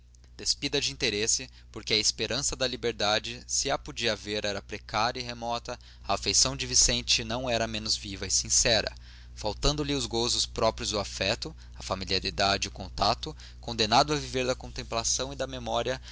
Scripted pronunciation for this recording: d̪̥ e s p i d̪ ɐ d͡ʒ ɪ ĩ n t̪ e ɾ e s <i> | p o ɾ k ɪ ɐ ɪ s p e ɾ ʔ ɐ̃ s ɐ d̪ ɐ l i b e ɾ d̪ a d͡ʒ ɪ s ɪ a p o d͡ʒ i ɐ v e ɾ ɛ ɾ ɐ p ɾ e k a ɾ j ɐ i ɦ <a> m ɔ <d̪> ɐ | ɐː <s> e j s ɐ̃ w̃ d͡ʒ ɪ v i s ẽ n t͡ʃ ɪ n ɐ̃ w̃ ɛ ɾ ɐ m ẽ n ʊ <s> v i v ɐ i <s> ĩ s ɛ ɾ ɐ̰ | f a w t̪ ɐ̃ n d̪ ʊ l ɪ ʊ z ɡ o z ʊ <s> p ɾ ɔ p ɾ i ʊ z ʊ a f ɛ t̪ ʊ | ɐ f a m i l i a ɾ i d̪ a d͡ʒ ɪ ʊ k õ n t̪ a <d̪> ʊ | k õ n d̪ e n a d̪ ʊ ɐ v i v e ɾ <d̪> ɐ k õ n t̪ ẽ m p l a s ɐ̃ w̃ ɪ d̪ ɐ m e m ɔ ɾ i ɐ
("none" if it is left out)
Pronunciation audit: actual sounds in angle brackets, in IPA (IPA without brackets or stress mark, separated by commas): ɪ, e, t̪, f, z, s, s, t̪, d̪